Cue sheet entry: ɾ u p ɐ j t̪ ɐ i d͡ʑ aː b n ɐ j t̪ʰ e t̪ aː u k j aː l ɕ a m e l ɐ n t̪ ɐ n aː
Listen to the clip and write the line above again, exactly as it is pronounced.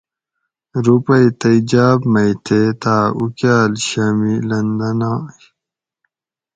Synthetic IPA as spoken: ɾ u p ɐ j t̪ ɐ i d͡ʑ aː b m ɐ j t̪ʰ e t̪ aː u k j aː l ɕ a m i l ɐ n d̪ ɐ n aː